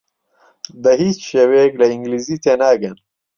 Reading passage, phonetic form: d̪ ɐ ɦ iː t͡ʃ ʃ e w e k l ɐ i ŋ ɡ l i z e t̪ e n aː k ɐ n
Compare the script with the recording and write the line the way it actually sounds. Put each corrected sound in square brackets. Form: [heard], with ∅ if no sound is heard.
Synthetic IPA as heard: d̪ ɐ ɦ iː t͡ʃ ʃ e w e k l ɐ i ŋ ɡ l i z [i] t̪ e n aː [ɡ] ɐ n